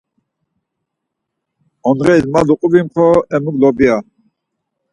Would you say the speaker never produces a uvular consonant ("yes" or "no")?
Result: no